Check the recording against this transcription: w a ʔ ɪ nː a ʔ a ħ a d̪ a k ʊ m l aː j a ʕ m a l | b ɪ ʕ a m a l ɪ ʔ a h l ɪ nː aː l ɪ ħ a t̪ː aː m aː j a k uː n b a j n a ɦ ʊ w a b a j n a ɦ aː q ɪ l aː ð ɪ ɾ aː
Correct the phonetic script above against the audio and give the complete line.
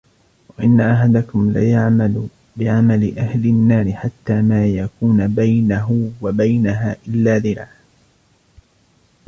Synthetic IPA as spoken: w a ʔ ɪ nː a ʔ a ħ a d̪ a k ʊ m l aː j a ʕ m a l | b ɪ ʕ a m a l ɪ ʔ a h l ɪ nː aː ɾ ɪ ħ a t̪ː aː m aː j a k uː n b a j n a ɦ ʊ w a b a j n a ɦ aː ʔ ɪ lː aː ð ɪ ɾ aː